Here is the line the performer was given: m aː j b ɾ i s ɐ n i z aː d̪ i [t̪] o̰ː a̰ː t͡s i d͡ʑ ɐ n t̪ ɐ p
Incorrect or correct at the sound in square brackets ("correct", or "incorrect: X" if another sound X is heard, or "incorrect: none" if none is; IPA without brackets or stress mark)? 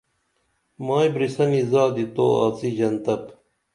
correct